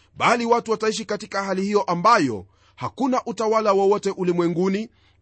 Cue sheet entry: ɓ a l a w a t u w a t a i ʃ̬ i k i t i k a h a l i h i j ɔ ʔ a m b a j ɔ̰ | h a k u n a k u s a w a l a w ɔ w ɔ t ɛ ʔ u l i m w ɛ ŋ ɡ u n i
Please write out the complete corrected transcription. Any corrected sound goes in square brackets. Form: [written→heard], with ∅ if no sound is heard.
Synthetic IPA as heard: ɓ a l [a→i] w a t u w a t a i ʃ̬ i k [i→a] t i k a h a l i h i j ɔ ʔ a m b a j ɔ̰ | h a k u n a [k→ʔ] u [s→t] a w a l a w ɔ w ɔ t ɛ ʔ u l i m w ɛ ŋ ɡ u n i